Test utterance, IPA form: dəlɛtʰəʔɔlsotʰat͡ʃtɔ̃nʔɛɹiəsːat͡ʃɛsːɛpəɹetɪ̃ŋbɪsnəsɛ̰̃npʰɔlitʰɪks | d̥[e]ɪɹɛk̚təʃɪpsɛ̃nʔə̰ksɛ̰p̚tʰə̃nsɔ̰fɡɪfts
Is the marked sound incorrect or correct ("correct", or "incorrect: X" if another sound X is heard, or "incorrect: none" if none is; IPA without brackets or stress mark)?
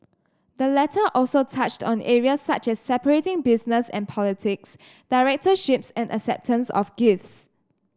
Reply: incorrect: a